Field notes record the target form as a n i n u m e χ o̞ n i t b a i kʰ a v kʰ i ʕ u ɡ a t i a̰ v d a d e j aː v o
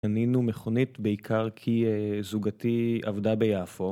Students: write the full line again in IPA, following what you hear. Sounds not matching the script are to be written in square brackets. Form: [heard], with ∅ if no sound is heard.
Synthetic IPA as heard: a n i n u m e χ o̞ n i t b [e] i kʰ a [ʁ] kʰ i [z] u ɡ a t i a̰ v d a [b] e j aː [f] o

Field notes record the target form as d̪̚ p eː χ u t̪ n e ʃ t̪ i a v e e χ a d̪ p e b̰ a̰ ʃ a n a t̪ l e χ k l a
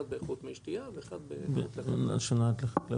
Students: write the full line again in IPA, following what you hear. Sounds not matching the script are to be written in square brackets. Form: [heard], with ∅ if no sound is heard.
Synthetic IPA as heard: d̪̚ [b] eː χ u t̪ [m] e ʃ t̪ i a v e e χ a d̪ [b] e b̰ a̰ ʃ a n a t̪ l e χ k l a

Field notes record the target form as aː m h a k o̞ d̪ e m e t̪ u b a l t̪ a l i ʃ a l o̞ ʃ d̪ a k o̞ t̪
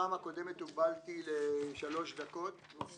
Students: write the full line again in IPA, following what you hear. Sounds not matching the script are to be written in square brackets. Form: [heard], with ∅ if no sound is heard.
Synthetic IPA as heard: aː m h a k o̞ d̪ e m e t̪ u b a l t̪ [i] l [e] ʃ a l o̞ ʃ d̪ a k o̞ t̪

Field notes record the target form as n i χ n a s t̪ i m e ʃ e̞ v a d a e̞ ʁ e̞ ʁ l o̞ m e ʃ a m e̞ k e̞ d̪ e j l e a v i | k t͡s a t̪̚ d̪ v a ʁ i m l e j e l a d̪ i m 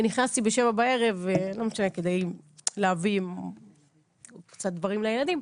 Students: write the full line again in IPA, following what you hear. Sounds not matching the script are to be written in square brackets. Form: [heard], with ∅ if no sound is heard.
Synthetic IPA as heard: n i χ n a s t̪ i [b] e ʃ e̞ v a [b] a e̞ ʁ e̞ [v] l o̞ m e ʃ a [n] e̞ k e̞ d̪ e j l e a v i | k t͡s a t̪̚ d̪ v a ʁ i m l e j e l a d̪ i m

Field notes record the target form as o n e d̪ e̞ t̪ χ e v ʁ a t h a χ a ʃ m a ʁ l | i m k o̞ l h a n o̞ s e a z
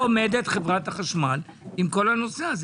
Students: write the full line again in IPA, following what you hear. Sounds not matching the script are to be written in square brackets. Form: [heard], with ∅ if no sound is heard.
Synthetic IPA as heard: o [m] e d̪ e̞ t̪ χ e v ʁ a t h a χ a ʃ m a [∅] l | i m k o̞ l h a n o̞ s e a z

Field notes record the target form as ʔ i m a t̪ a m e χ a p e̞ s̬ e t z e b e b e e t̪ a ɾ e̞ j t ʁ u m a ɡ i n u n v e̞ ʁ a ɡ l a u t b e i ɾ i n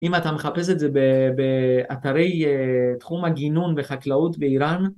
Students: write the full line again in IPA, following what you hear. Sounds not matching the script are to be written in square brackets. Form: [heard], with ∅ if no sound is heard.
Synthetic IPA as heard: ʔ i m a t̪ a m e χ a p e̞ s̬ e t z e b e b e [a] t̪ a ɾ e̞ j t [χ] u m a ɡ i n u n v e̞ [χ] a [k] l a u t b e i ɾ [a] n

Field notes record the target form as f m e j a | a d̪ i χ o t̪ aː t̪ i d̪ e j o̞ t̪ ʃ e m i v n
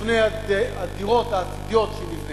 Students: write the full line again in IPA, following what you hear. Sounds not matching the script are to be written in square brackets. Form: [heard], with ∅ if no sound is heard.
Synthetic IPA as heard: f [n] e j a | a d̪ i [ʁ] o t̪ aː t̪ i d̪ [i] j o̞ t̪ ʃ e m i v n

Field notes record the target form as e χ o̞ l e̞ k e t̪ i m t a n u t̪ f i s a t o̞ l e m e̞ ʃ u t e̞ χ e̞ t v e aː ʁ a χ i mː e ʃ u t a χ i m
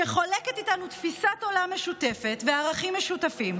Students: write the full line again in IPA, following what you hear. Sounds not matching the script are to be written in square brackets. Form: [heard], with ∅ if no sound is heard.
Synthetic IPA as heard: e χ o̞ l e̞ k e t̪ i [∅] t a n u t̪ f i s a t o̞ l [a] m e̞ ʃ u t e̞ [f] e̞ t v e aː ʁ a χ i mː e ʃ u t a [f] i m

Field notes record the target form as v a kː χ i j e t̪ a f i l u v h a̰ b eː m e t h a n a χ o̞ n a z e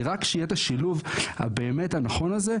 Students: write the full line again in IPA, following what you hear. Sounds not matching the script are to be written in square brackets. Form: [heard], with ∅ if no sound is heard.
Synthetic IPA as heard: [ʁ] a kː [ʃ] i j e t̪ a [ʃ] i l u v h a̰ b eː m e t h a n a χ o̞ n a z e

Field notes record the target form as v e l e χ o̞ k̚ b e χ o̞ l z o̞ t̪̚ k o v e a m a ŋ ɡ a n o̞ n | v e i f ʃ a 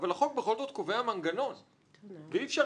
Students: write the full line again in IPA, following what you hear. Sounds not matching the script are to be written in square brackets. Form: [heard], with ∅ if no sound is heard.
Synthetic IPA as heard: v [a] l [a] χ o̞ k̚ b e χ o̞ l z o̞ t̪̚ k o v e a m a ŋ ɡ a n o̞ n | v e i f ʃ a

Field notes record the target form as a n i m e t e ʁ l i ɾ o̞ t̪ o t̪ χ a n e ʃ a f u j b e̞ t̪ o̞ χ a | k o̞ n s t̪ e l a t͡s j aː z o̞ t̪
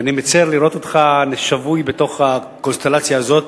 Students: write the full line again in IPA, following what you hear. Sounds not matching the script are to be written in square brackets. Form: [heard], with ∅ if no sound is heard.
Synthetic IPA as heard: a n i m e [t͡s] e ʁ l i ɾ o̞ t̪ o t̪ χ a n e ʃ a [v] u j b e̞ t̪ o̞ χ a | k o̞ n s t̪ e l a t͡s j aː z o̞ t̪

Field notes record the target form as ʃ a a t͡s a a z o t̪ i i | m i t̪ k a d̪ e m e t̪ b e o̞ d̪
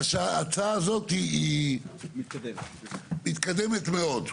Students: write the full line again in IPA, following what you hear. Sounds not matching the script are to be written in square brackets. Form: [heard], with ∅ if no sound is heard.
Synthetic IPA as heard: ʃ a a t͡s a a z o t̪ i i | m i t̪ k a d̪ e m e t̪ [m] e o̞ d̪

